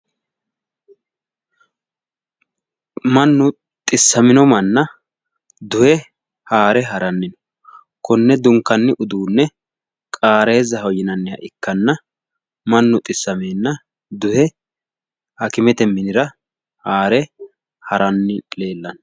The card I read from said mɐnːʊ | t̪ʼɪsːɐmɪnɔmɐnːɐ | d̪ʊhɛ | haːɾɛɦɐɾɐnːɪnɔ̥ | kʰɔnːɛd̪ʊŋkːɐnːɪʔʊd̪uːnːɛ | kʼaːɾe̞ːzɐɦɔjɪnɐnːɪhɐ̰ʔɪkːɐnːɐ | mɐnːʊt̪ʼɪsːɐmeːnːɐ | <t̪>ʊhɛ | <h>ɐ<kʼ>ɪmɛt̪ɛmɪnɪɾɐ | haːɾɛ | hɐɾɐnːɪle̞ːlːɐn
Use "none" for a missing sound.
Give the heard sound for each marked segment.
d̪, h, k

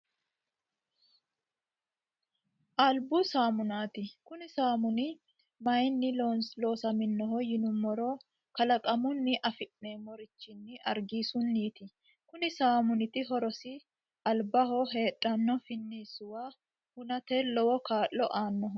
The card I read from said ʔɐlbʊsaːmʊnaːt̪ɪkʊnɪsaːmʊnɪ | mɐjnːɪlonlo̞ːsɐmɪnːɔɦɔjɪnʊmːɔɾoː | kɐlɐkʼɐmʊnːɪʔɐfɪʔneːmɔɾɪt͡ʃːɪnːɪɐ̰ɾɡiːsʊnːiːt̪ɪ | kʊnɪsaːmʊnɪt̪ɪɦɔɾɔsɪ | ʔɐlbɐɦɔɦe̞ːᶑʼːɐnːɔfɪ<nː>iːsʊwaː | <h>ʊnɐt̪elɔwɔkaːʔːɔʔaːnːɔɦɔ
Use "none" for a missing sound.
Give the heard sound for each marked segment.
nː, h

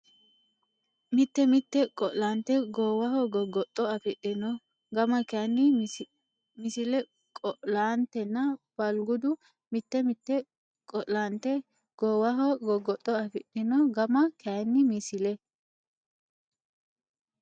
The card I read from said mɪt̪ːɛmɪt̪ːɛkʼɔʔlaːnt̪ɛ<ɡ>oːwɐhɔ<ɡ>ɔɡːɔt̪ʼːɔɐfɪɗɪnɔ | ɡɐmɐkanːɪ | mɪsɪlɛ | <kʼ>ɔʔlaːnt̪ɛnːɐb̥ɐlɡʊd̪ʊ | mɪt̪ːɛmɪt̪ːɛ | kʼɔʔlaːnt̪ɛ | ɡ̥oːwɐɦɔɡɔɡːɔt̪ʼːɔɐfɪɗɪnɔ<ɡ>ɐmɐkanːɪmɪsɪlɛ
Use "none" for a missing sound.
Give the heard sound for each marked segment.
ɡ, ɡ, kʼ, ɡ

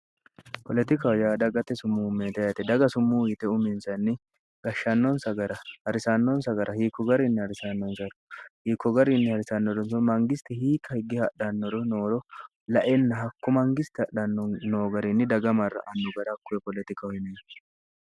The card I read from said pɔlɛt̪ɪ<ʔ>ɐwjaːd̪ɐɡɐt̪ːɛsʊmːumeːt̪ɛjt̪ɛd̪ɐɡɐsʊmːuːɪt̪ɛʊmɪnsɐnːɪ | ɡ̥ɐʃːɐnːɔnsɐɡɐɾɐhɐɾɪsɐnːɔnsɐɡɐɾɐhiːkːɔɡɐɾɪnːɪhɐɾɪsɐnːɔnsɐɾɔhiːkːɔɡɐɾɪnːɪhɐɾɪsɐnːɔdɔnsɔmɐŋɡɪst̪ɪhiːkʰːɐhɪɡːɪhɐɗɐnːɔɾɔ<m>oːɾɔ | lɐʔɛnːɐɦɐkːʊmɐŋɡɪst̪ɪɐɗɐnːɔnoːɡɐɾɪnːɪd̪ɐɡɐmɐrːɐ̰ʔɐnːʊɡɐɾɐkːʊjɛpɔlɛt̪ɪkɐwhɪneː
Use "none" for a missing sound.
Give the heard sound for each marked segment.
k, n

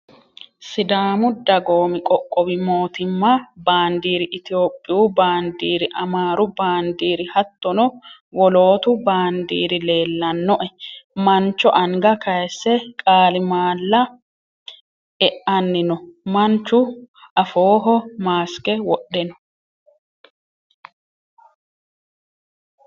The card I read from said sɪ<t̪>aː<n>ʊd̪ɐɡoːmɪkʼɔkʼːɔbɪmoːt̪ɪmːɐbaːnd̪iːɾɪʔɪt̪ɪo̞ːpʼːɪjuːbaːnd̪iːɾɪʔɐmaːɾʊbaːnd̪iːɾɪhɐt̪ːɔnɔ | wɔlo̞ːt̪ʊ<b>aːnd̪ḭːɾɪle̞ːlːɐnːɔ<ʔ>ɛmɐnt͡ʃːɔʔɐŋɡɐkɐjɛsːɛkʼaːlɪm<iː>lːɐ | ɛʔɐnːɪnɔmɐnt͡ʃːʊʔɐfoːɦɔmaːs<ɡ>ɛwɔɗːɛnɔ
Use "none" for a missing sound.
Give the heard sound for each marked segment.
d̪, m, b, ʔ, aː, k

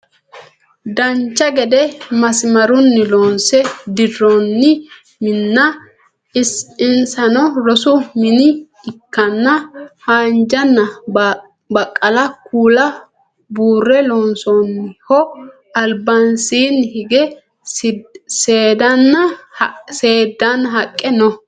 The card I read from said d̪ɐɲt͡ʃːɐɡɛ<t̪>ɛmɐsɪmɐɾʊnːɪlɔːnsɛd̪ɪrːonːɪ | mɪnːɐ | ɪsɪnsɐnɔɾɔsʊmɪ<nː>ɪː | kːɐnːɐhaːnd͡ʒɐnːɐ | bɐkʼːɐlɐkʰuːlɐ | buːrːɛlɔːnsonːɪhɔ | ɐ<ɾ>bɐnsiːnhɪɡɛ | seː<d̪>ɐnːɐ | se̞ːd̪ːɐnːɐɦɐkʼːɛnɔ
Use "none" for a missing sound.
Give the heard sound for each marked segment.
d̪, n, l, d̪

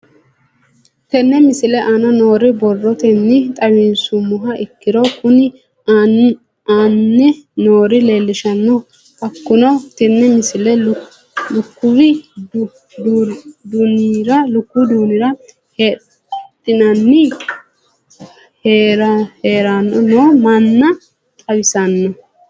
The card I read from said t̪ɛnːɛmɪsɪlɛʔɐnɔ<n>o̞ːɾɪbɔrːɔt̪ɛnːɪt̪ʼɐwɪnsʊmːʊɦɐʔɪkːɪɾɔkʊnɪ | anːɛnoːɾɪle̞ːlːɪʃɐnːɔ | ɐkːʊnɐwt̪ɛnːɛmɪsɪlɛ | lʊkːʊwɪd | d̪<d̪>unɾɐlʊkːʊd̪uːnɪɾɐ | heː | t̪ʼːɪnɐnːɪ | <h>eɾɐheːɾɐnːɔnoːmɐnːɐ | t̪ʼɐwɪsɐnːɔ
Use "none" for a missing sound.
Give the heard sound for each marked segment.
n, d̪, h

